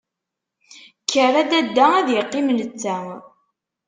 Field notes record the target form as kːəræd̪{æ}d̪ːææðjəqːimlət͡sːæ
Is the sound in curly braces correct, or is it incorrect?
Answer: correct